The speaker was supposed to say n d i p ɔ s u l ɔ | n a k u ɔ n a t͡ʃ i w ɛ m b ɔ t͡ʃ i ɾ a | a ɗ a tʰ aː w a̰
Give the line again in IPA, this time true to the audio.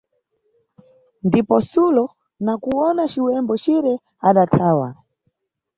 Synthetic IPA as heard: n d i p ɔ s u l ɔ | n a k u ɔ n a t͡ʃ i w ɛ m b ɔ t͡ʃ i ɾ ɛ | a ɗ a tʰ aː w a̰